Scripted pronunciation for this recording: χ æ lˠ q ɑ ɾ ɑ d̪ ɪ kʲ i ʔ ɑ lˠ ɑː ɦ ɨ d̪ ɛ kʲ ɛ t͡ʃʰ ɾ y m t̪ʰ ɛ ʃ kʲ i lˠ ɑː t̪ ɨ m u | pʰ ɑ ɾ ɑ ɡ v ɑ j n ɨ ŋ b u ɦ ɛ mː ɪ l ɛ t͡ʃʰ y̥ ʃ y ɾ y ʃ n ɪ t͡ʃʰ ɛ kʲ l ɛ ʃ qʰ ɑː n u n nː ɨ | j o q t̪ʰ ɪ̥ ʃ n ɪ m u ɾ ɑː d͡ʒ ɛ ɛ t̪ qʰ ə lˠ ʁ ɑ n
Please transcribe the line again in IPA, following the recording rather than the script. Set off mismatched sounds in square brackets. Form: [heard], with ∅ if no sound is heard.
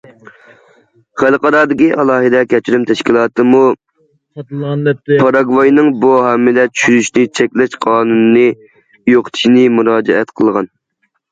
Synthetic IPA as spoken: χ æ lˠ q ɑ ɾ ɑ d̪ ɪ kʲ i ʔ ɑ lˠ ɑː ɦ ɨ d̪ ɛ kʲ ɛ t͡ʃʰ ɾ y m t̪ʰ ɛ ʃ kʲ i lˠ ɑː t̪ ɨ m u | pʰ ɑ ɾ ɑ ɡ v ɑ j n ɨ ŋ b u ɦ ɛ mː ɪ l ɛ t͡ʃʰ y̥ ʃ y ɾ y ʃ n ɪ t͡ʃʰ ɛ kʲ l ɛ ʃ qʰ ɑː n u n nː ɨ | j o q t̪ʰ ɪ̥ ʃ n ɪ m u ɾ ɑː d͡ʒ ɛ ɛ t̪ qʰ ə lˠ ʁ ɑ n